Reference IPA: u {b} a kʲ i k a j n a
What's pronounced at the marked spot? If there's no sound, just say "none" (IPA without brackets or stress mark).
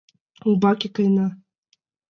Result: b